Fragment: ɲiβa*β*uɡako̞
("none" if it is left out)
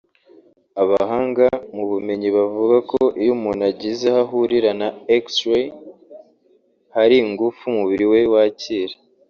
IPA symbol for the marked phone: v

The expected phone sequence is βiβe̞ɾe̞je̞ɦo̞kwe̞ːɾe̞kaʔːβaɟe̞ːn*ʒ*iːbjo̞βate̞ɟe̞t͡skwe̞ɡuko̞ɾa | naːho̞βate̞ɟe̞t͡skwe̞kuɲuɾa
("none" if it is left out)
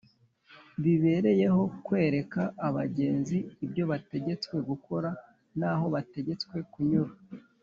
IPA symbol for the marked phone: z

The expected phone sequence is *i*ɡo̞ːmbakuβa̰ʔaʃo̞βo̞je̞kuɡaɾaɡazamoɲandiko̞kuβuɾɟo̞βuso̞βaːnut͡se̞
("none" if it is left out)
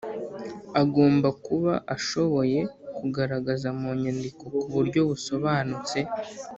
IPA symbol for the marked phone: a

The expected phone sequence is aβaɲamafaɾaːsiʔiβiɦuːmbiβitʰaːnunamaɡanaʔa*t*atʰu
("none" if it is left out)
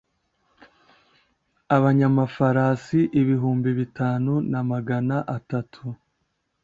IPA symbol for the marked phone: t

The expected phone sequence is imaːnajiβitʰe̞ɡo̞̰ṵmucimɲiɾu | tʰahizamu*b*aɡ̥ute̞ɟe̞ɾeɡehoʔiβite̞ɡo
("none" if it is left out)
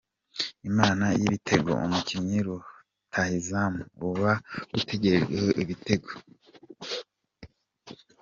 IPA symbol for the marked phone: β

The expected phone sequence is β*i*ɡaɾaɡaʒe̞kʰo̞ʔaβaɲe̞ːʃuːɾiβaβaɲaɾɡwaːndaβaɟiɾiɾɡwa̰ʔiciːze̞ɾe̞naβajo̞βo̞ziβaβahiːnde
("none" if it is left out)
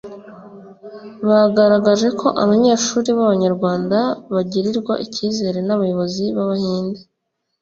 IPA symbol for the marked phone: a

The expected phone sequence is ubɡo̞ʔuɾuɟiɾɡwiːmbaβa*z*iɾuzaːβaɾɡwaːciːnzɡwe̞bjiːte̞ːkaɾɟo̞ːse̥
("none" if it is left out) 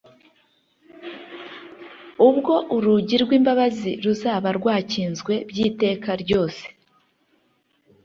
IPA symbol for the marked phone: z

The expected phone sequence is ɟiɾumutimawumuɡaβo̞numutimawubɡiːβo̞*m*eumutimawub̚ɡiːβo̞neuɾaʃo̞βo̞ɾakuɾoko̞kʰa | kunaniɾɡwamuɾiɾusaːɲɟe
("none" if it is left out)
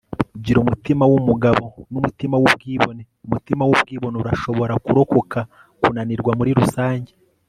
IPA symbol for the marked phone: n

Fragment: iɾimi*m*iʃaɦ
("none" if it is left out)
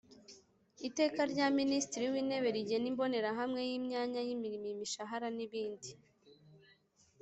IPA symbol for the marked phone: m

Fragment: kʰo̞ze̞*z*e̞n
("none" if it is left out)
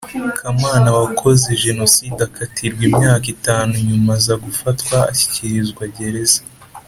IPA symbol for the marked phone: ʒ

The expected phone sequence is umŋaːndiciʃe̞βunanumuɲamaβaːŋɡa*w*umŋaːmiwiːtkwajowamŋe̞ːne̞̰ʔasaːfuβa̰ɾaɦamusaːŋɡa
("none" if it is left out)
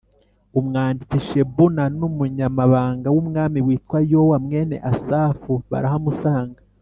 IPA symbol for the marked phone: w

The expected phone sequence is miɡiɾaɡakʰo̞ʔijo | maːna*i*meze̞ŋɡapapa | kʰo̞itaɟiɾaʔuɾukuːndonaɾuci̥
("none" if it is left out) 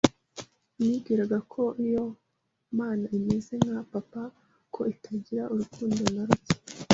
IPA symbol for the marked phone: i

